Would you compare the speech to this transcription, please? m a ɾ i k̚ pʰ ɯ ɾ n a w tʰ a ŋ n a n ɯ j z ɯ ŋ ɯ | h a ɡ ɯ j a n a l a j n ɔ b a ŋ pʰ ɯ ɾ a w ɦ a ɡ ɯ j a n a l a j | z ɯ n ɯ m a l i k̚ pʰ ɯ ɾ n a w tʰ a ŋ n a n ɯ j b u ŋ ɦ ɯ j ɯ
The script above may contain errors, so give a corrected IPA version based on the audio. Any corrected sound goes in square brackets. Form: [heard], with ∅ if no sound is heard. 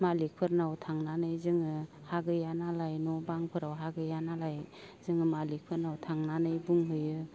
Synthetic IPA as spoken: m a [l] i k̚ pʰ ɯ ɾ n a w tʰ a ŋ n a n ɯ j z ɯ ŋ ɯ | h a ɡ ɯ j a n a l a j n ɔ b a ŋ pʰ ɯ ɾ a w ɦ a ɡ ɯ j a n a l a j | z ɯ [ŋ] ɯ m a l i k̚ pʰ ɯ ɾ n a w tʰ a ŋ n a n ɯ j b u ŋ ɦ ɯ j ɯ